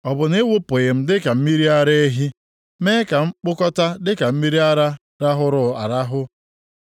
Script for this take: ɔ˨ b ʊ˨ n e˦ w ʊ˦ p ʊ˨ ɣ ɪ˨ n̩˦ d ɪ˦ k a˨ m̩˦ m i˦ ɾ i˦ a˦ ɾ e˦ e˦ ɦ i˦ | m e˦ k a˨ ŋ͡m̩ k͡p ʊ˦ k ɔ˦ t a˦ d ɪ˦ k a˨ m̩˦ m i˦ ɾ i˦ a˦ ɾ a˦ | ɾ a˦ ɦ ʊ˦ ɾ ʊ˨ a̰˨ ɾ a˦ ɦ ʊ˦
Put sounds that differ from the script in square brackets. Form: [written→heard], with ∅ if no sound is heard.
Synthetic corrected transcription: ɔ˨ b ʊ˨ n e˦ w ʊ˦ p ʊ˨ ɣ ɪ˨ [n̩˦→m̩˦] d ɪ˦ k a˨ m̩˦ m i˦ ɾ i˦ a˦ ɾ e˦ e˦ ɦ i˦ | m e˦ k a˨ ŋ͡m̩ k͡p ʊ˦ k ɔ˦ t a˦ d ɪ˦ k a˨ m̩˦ m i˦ ɾ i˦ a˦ ɾ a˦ | ɾ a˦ ɦ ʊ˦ ɾ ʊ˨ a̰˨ ɾ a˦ ɦ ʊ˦